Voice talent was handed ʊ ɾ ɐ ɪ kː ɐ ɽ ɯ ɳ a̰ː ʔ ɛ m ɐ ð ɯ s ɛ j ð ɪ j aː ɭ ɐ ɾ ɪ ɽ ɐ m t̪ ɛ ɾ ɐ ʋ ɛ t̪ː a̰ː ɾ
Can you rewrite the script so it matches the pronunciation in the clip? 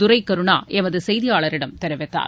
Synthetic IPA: ʊ ɾ ɐ ɪ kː ɐ ɾ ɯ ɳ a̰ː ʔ ɛ m ɐ ð ɯ s ɛ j ð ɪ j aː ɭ ɐ ɾ ɪ ɽ ɐ m t̪ ɛ ɾ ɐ ʋ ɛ t̪ː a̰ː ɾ